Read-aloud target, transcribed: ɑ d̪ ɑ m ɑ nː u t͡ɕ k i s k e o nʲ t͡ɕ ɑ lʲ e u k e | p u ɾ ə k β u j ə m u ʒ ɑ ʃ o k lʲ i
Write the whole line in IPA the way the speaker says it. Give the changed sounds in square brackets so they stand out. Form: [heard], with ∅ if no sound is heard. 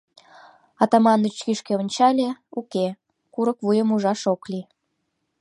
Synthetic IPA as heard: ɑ [t̪] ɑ m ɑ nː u t͡ɕ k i [ʃ] k e o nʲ t͡ɕ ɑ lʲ e u k e | [k] u ɾ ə k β u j ə m u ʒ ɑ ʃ o k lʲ i